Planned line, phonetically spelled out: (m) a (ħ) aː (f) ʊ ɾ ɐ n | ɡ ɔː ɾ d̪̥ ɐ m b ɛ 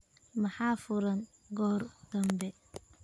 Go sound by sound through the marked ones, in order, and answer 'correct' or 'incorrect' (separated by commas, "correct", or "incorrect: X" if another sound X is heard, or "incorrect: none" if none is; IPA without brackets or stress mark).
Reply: correct, correct, correct